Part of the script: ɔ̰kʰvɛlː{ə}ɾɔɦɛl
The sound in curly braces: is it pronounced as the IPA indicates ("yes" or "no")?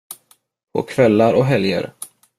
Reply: no